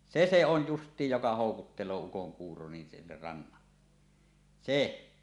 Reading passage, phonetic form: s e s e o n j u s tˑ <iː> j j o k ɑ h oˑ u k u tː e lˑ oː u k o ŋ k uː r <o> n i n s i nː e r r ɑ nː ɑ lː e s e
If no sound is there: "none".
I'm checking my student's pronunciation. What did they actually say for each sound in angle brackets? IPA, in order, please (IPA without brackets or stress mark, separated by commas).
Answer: iː, o